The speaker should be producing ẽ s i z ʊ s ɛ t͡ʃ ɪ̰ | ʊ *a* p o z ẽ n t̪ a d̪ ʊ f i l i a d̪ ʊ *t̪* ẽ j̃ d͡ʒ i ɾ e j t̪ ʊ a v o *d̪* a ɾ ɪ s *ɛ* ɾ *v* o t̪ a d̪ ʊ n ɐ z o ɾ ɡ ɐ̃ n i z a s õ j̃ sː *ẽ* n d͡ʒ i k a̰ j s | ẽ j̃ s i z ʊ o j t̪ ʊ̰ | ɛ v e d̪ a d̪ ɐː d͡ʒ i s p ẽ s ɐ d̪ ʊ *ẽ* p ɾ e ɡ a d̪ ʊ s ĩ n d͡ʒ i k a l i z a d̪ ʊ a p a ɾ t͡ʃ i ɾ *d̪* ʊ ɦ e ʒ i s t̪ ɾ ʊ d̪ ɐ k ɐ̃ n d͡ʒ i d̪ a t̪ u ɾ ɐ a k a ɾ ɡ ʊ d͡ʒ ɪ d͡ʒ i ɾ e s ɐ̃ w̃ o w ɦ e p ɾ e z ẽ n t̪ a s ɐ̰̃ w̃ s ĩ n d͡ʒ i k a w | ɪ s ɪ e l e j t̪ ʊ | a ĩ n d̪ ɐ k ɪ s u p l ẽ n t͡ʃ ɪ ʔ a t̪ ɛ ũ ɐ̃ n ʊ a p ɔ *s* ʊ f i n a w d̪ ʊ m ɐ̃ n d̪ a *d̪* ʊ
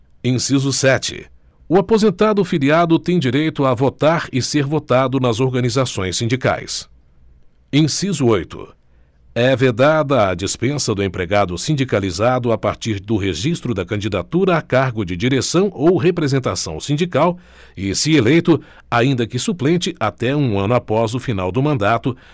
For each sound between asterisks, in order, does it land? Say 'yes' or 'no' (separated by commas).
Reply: yes, yes, no, no, yes, no, yes, yes, no, no